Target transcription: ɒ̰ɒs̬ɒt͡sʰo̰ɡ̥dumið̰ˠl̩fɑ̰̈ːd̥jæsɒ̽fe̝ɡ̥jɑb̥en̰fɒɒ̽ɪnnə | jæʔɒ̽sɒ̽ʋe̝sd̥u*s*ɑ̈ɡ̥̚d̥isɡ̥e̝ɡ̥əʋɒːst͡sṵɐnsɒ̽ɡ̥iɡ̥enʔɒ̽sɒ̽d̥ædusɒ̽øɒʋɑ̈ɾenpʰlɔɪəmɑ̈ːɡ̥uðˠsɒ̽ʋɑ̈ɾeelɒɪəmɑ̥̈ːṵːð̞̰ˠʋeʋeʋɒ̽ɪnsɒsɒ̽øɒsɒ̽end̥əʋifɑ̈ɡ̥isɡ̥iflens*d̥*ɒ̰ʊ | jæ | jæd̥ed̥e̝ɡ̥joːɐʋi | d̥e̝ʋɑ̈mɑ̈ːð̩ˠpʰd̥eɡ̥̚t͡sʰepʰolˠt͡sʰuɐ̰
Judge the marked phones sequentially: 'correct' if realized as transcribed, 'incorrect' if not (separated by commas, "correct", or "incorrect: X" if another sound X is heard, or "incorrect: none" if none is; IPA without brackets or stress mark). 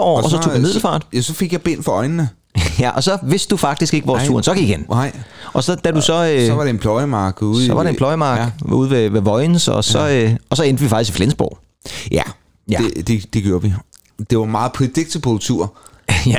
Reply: incorrect: f, incorrect: b̥